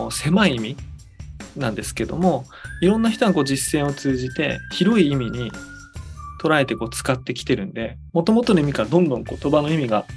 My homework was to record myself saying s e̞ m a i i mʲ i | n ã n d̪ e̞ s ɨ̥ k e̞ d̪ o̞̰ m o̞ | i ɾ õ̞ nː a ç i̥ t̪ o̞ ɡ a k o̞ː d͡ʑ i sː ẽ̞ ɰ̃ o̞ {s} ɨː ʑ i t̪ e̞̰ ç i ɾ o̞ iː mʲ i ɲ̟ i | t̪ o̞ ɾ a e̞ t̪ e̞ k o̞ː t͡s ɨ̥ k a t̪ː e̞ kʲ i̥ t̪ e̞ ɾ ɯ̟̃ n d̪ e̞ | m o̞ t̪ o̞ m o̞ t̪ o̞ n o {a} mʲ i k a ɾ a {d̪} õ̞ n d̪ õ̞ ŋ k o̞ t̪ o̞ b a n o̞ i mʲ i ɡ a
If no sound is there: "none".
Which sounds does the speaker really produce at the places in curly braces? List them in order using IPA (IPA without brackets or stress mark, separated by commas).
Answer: t͡s, i, d̪